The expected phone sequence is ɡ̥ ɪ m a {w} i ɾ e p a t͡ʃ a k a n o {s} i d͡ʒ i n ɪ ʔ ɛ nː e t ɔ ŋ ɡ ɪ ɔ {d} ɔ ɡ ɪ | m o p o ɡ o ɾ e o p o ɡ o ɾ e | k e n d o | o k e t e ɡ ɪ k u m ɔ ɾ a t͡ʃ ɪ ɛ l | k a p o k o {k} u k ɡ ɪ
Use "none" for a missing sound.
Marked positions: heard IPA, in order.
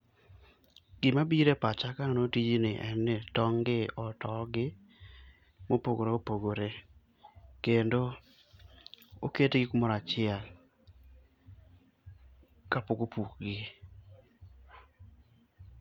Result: b, t, t, p

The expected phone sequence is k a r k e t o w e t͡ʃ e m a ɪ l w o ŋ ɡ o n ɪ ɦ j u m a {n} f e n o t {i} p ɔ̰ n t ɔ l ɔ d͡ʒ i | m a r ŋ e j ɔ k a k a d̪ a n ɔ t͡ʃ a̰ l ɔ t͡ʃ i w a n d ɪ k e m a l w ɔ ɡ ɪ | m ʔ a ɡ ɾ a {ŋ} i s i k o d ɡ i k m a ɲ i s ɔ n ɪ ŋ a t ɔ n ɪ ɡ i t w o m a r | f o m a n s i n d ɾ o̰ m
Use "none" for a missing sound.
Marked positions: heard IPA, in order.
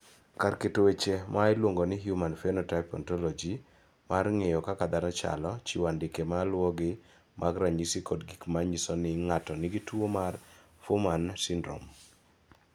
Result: n, a, ɲ

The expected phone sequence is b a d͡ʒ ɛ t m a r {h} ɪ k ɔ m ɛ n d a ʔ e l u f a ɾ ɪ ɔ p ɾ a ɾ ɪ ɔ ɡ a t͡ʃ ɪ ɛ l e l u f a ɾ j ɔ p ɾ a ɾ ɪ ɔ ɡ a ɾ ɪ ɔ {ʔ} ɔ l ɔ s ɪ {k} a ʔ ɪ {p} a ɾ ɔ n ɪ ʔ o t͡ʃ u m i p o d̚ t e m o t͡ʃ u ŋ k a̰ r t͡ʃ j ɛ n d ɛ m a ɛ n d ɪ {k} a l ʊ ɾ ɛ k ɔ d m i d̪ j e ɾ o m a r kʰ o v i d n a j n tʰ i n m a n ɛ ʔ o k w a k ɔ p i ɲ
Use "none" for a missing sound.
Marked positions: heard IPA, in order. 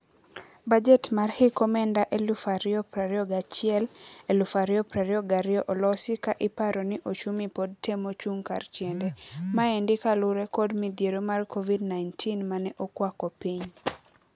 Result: h, ʔ, k, p, k

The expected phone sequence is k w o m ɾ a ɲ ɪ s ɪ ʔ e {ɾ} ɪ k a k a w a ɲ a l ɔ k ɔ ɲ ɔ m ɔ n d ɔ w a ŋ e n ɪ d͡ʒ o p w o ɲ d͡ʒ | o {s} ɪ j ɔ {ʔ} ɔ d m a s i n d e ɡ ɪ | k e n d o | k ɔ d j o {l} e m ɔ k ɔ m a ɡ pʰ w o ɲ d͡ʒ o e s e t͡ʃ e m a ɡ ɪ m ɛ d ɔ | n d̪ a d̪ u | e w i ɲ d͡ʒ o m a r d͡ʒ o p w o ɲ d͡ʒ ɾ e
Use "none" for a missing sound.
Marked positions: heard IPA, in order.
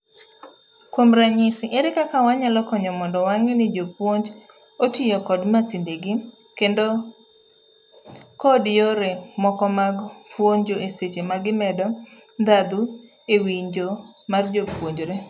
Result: ɾ, t, k, ɾ

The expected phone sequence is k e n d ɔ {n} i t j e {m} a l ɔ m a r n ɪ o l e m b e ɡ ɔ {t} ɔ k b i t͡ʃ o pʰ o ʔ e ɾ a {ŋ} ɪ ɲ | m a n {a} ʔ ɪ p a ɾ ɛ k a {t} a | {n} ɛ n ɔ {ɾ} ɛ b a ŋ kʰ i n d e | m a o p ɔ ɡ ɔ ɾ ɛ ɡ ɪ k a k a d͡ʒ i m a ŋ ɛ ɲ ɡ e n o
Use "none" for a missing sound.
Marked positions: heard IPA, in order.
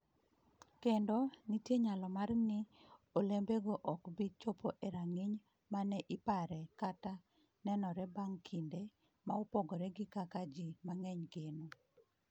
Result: n, ɲ, ʔ, ŋ, ɛ, t, n, ɾ

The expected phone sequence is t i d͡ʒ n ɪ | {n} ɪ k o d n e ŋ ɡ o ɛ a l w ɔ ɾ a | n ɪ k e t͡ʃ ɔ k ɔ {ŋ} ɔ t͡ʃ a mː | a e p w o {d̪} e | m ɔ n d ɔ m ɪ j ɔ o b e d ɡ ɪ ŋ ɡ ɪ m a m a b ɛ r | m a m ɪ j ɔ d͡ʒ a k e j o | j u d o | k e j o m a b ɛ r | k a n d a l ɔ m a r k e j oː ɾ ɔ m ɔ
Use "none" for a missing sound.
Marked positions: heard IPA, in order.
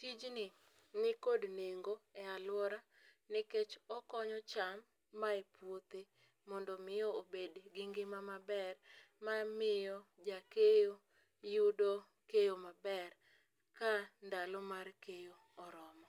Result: n, ɲ, t̪

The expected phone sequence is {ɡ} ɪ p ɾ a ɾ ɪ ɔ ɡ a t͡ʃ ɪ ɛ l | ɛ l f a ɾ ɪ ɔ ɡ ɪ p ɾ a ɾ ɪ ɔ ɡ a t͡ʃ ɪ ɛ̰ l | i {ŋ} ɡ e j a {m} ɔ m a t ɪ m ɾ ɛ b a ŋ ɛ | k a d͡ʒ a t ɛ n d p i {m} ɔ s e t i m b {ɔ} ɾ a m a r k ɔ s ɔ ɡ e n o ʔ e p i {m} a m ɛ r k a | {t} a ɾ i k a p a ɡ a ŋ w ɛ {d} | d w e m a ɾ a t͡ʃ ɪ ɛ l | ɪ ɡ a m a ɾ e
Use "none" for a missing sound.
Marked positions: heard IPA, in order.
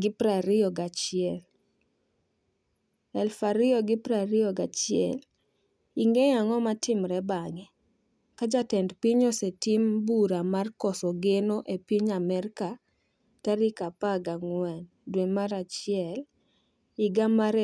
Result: ɡ, ŋ, ŋ, ɲ, u, ɲ, t, n

